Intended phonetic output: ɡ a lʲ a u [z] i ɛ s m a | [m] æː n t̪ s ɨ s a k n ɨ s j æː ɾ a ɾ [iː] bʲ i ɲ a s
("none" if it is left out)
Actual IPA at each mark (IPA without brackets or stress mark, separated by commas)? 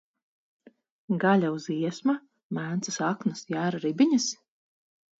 z, m, i